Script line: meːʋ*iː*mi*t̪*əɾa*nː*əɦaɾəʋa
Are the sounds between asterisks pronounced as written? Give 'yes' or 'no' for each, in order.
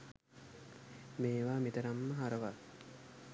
no, yes, no

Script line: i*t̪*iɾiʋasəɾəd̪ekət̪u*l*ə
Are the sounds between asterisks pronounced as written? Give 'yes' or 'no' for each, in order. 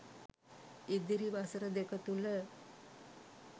no, yes

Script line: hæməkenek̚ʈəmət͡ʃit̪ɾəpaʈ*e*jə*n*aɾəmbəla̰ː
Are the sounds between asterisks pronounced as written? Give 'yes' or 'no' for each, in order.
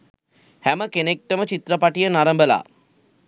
no, yes

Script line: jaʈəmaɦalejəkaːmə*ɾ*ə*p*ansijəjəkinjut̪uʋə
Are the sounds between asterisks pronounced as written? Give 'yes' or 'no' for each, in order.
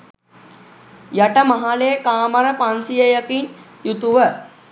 yes, yes

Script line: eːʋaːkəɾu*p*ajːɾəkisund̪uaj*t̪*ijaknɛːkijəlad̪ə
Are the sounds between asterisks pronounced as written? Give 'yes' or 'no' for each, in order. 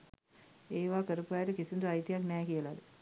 yes, yes

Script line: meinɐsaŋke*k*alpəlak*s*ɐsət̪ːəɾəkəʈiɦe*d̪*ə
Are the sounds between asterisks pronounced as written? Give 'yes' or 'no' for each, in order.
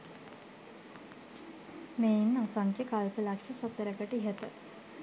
yes, no, no

